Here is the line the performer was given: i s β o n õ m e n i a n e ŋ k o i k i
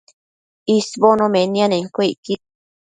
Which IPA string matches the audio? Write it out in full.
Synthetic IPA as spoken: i s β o n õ m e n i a n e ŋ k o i k i